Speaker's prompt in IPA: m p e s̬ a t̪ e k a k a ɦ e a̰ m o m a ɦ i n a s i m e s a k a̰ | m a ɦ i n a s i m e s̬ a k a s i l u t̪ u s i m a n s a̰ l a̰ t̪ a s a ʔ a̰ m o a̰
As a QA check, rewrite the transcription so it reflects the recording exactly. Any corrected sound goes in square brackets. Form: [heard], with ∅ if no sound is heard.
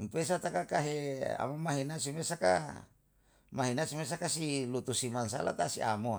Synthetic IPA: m p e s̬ a t̪ [a] k a k a ɦ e a̰ m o m a ɦ i n a s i m e s a k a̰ | m a ɦ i n a s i m e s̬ a k a s i l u t̪ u s i m a n s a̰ l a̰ t̪ a s [i] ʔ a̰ m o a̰